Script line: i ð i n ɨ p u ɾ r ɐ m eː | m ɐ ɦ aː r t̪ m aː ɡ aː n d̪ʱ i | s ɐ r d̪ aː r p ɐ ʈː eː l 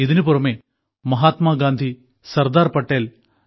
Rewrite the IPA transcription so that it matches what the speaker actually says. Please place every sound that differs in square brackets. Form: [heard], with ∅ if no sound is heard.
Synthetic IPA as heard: i ð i n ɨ p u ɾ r ɐ m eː | m ɐ ɦ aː [∅] t̪ m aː ɡ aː n d̪ʱ i | s ɐ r d̪ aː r p ɐ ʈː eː l